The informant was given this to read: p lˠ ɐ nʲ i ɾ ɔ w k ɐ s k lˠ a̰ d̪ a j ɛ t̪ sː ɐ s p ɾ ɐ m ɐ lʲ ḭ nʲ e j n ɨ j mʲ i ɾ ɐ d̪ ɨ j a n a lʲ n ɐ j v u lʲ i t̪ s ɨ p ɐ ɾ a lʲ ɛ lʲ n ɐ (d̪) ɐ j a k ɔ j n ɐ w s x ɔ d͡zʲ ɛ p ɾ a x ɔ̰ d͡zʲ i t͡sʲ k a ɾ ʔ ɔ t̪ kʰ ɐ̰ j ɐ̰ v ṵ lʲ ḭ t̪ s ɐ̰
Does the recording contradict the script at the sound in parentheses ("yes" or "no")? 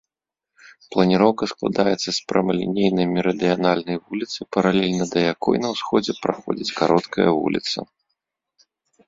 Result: no